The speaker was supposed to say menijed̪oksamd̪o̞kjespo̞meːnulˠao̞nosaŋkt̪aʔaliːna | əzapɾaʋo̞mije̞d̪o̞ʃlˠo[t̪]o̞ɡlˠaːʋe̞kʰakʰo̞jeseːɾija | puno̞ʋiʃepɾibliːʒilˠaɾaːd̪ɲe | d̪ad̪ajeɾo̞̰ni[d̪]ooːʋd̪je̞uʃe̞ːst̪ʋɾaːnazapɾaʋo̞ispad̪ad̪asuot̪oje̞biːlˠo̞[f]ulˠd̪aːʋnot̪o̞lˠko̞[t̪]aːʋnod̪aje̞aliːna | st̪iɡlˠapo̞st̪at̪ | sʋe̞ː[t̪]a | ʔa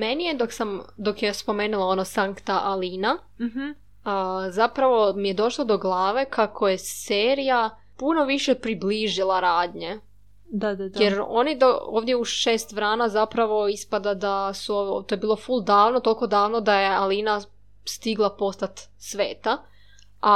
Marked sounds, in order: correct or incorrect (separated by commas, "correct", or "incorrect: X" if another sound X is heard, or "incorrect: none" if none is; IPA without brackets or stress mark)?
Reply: incorrect: d̪, correct, correct, incorrect: d̪, correct